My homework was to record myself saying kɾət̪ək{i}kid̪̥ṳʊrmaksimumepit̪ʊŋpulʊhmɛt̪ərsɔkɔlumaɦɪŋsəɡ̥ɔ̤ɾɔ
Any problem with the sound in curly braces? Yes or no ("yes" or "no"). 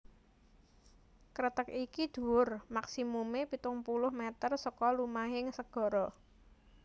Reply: no